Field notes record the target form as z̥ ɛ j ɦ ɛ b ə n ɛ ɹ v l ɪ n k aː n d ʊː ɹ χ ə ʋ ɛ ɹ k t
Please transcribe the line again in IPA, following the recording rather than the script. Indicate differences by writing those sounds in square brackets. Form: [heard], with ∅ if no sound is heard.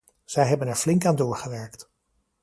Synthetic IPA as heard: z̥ ɛ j ɦ ɛ b ə n ɛ ɹ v l ɪ [ŋ] k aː n d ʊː ɹ χ ə ʋ ɛ ɹ k t